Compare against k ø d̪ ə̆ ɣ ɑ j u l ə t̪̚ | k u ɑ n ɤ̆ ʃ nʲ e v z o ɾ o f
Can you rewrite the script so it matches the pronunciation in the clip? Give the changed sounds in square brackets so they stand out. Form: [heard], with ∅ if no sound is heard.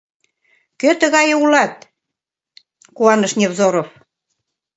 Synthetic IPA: k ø [t̪] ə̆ ɣ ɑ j u l [ɑ] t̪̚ | k u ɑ n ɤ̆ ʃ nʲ e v z o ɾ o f